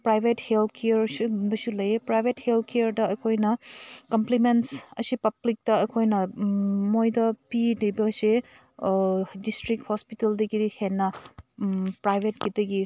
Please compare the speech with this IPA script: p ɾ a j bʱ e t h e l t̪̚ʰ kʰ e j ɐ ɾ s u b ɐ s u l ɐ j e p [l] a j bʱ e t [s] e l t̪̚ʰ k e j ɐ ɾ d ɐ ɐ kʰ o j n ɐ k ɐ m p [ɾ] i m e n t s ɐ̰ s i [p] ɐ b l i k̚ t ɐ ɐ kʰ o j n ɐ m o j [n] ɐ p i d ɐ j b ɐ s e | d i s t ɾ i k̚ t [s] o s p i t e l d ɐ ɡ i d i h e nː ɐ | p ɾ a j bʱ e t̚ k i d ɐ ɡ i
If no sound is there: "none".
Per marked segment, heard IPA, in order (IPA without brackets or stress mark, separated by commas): ɾ, h, l, p, d, h